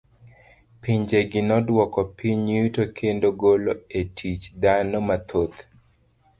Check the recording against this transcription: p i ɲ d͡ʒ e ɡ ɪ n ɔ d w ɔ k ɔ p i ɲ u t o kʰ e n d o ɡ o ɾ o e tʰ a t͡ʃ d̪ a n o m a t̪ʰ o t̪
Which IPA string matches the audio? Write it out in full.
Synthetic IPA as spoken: p i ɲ d͡ʒ e ɡ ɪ n ɔ d w ɔ k ɔ p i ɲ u t o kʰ e n d o ɡ o l o e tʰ i t͡ʃ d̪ a n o m a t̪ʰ o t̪